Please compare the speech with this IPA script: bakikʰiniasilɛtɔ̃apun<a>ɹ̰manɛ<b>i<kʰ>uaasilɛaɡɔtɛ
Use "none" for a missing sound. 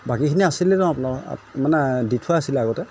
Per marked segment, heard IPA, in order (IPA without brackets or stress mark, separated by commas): a, d, tʰ